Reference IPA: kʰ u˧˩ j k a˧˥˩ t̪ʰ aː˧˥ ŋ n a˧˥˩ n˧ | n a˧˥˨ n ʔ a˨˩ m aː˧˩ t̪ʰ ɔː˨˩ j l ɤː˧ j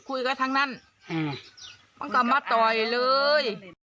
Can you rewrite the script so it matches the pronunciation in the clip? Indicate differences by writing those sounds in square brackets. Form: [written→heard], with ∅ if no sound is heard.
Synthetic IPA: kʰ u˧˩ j k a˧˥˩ t̪ʰ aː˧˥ ŋ n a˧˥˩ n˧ | [n→m] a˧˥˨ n [ʔ→k] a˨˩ m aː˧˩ [t̪ʰ→t̪] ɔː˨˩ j l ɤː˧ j